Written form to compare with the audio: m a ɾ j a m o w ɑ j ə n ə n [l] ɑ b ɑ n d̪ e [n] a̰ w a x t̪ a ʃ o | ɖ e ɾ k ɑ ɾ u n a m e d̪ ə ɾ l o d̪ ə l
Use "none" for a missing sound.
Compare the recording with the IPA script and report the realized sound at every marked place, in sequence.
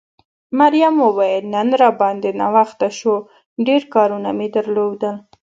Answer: ɾ, n

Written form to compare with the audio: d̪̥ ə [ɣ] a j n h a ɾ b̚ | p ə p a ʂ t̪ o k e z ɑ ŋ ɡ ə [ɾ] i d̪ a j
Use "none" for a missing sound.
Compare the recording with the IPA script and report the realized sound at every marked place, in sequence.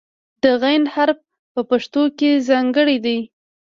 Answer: ɣ, ɽ

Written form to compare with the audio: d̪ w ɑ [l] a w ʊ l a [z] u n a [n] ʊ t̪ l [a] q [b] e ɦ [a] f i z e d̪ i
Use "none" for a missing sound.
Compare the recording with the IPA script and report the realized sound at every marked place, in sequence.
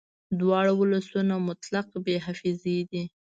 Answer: ɽ, s, m, a, b, a

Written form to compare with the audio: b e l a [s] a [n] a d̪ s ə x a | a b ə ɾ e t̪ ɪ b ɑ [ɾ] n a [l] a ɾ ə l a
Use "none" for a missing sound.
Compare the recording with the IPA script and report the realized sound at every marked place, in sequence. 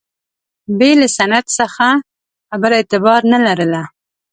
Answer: s, n, ɾ, l

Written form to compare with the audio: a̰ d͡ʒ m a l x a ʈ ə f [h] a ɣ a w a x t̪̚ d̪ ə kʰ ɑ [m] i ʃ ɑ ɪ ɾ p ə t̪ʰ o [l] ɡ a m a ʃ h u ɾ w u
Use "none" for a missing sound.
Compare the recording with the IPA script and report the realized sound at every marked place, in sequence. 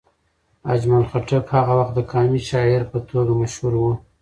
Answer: h, m, none

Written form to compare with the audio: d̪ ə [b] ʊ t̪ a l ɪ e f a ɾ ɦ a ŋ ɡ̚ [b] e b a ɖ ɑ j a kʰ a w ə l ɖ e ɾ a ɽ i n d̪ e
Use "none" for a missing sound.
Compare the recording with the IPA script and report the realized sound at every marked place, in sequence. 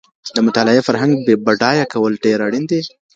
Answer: m, b

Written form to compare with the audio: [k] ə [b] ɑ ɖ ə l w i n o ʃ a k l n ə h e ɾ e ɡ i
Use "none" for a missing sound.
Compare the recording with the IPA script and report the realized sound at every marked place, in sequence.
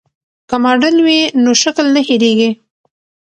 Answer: k, m

